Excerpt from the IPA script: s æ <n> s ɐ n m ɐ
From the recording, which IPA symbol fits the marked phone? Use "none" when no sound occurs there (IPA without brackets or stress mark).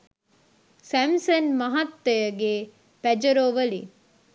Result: m